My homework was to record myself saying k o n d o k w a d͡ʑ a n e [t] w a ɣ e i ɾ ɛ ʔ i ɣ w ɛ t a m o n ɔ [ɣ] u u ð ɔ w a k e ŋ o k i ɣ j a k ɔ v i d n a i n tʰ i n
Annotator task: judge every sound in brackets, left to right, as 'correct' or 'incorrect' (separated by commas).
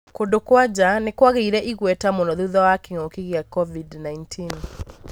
incorrect, incorrect